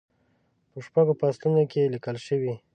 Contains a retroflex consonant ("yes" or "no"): no